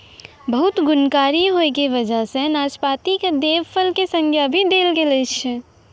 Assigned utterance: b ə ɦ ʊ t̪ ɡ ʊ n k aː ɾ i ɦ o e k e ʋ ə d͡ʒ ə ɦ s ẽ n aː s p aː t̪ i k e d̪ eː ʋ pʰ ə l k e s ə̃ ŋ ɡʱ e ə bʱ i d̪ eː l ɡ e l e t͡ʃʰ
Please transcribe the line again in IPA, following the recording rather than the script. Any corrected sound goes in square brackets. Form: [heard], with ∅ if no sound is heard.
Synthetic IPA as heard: b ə ɦ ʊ t̪ ɡ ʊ n k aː ɾ i ɦ o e k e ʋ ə d͡ʒ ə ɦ s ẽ n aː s p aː t̪ i k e d̪ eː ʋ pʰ ə l k e s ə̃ ŋ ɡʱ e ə bʱ i d̪ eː l ɡ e l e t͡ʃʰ